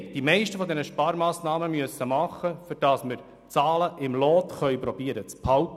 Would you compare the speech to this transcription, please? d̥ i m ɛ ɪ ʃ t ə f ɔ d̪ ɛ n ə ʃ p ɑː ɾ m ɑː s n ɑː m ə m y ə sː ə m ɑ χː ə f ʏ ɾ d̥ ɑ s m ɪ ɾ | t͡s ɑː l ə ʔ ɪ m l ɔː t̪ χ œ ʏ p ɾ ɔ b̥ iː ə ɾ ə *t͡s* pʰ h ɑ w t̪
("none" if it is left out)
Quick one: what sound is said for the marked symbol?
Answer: t͡s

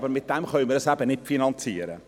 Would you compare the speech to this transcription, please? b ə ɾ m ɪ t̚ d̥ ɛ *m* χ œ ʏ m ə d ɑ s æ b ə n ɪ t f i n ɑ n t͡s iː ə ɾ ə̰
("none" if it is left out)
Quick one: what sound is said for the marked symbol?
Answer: m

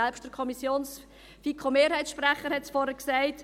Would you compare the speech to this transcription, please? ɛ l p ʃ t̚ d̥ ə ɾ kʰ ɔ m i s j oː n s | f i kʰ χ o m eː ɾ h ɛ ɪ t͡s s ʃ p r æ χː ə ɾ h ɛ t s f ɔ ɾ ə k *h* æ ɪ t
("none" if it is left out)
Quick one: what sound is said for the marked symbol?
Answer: s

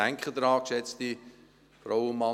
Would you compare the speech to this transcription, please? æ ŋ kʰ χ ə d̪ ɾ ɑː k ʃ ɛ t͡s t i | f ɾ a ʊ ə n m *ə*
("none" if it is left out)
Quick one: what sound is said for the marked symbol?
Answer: ɑ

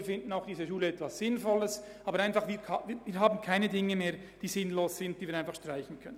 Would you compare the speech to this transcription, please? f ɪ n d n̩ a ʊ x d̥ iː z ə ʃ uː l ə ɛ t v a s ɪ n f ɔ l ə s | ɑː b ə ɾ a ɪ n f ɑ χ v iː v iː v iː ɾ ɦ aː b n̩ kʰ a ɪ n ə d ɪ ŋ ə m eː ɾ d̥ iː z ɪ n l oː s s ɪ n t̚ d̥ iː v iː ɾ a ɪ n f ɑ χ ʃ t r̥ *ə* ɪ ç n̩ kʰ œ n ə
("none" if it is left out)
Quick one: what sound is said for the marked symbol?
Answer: a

